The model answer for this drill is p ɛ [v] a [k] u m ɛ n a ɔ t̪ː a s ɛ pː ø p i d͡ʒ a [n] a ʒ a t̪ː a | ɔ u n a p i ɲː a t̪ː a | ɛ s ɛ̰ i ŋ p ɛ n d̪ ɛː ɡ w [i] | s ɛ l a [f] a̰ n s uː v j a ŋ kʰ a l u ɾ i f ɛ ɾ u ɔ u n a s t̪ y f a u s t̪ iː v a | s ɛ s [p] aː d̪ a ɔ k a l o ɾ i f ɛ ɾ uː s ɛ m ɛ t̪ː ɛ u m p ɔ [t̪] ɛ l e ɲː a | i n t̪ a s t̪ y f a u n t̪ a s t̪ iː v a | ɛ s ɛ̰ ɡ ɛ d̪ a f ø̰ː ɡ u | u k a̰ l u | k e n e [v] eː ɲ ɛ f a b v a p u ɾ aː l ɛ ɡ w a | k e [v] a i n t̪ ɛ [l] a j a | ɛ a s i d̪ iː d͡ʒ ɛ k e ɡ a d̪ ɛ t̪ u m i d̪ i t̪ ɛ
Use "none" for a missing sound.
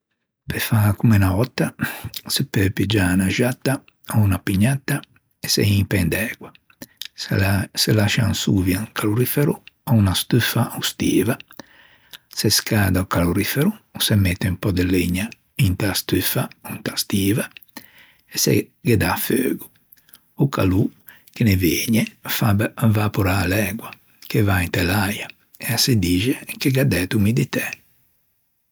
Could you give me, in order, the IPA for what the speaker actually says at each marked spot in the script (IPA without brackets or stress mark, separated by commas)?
f, k, n, a, ʃ, k, d̪, v, v, l